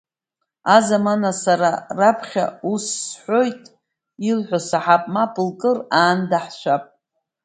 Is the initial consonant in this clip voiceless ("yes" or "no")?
no